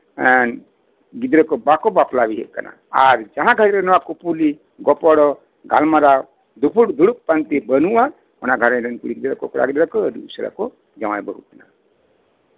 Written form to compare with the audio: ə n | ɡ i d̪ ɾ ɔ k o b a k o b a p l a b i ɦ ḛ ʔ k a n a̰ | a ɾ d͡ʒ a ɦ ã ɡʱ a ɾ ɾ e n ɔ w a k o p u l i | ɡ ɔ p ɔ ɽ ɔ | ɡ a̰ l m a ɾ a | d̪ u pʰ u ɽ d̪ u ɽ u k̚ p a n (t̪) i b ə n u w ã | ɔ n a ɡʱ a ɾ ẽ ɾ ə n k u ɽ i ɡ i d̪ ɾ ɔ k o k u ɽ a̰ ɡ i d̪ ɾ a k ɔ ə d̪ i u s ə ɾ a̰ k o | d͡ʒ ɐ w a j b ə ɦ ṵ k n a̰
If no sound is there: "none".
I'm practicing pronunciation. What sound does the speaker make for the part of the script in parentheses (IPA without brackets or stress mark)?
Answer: t̪